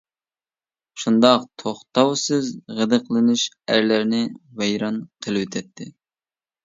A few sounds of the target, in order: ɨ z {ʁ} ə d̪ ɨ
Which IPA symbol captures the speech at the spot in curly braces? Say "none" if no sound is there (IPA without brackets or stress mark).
ʁ